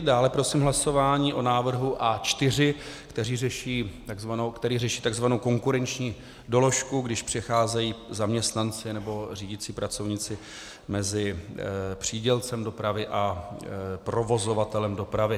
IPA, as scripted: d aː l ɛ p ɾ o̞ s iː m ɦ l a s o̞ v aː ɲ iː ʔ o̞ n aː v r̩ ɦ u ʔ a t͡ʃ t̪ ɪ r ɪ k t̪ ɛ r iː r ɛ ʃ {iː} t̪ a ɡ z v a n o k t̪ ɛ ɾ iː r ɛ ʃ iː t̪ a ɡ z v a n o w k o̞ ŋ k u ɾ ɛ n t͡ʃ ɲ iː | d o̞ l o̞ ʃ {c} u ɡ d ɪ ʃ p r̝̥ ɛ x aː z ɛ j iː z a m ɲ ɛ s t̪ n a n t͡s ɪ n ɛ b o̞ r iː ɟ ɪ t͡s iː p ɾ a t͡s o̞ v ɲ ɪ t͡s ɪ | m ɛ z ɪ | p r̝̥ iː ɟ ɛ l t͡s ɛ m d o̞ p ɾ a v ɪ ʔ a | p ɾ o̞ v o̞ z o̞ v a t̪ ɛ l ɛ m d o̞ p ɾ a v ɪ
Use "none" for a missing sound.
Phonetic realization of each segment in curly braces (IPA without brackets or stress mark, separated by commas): iː, k